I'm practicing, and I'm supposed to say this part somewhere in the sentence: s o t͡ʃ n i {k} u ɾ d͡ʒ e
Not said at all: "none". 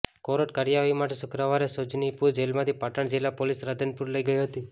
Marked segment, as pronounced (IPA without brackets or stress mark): p